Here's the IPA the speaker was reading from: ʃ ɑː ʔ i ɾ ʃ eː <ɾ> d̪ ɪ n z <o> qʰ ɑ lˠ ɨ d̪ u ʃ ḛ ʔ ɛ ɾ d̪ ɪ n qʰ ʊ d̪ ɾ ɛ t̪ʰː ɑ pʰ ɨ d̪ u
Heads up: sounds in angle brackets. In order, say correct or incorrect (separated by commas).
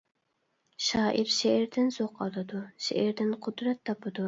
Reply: correct, correct